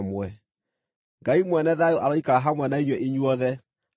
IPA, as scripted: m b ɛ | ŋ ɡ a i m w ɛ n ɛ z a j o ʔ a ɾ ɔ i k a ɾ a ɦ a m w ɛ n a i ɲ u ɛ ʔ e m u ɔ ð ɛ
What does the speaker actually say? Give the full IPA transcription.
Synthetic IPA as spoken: m w ɛ | ŋ ɡ a i m w ɛ n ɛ ð a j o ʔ a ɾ ɔ i k a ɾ a ɦ a m w ɛ n a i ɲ w ɛ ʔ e ɲ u ɔ ð ɛ